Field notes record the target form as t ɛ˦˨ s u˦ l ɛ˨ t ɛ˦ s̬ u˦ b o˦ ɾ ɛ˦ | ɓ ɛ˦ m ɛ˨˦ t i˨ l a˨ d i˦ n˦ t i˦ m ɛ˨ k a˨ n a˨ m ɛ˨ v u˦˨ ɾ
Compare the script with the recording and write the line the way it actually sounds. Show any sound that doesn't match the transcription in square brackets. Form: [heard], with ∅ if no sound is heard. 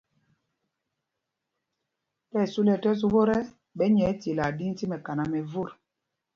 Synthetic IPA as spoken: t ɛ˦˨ s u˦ l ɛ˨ t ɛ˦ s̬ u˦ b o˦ ɾ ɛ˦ | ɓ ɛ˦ [ɲ] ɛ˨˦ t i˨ l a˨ d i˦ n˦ t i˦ m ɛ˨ k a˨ n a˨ m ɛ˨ v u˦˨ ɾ